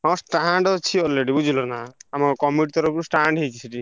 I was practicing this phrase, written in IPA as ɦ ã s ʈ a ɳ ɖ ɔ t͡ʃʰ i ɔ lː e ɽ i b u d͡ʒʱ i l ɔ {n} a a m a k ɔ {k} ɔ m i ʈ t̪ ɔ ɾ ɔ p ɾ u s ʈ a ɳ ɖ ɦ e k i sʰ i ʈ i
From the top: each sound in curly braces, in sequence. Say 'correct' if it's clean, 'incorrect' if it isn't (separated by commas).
correct, correct